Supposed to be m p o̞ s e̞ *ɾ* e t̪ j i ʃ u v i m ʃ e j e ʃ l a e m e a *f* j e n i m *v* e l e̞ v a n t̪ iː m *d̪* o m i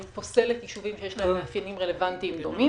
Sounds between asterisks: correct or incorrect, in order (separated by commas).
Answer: incorrect, correct, incorrect, correct